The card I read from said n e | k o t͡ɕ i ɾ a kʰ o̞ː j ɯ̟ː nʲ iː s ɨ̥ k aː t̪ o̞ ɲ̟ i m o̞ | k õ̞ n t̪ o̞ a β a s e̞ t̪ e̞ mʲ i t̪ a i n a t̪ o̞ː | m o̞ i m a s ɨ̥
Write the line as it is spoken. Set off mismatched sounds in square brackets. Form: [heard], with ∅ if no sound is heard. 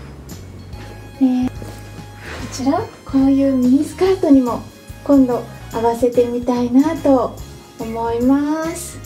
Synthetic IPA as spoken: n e | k o t͡ɕ i ɾ a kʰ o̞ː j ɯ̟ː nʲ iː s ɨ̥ k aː t̪ o̞ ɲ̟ i m o̞ | k õ̞ n [d̪] o̞ a β a s e̞ t̪ e̞ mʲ i t̪ a i n a t̪ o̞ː | m o̞ i m a s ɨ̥